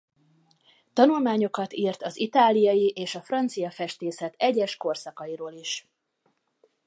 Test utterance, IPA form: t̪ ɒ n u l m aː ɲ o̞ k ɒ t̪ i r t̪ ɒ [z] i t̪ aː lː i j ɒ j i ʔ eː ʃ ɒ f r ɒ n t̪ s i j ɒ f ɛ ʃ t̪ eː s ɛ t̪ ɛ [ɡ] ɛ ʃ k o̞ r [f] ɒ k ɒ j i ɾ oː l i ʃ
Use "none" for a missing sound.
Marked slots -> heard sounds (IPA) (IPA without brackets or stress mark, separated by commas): z, ɟ, s